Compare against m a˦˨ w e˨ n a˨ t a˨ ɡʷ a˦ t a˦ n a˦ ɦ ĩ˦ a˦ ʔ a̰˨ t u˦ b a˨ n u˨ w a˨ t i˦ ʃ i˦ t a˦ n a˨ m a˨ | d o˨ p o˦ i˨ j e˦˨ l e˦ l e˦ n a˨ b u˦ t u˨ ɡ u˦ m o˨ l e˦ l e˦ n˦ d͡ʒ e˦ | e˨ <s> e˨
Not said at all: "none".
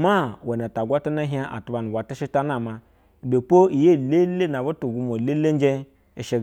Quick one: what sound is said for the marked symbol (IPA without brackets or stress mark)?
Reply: ʃ